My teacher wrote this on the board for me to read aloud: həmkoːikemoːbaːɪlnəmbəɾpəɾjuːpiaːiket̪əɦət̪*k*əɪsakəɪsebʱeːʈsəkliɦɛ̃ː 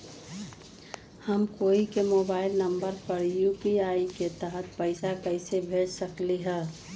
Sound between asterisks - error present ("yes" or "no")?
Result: yes